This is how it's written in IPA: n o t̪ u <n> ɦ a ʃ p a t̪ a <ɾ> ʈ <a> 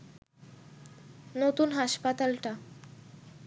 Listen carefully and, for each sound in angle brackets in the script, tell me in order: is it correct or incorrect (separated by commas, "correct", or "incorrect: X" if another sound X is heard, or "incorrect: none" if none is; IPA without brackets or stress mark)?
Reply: correct, incorrect: l, correct